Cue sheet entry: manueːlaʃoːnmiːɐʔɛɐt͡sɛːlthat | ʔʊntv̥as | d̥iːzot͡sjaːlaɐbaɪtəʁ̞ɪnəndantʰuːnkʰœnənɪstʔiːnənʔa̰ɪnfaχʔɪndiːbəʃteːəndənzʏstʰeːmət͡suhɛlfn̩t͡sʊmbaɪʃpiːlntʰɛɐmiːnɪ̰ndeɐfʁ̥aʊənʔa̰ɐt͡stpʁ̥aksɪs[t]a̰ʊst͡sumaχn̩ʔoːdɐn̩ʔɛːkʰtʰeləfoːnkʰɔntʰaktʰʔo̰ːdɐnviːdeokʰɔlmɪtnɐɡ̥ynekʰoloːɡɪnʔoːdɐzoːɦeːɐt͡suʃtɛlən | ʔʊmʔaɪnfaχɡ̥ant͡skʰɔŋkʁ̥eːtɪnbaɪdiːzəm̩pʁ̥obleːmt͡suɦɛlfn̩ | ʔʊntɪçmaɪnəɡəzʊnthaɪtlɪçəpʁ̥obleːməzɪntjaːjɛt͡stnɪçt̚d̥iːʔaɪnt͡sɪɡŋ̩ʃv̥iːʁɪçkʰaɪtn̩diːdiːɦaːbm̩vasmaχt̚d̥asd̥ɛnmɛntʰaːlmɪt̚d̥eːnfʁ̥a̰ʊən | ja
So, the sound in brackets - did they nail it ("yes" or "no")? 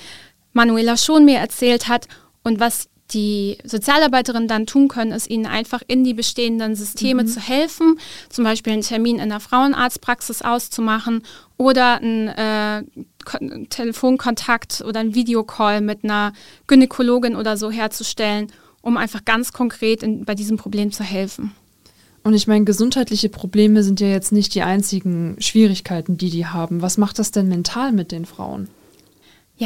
no